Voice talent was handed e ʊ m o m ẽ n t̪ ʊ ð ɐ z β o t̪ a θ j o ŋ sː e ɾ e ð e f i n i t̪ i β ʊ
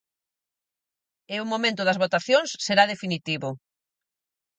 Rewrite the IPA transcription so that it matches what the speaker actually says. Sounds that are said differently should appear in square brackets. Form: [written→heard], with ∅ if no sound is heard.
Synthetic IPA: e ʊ m o m ẽ n t̪ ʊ ð ɐ z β o t̪ a θ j o ŋ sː e ɾ [e→a] ð e f i n i t̪ i β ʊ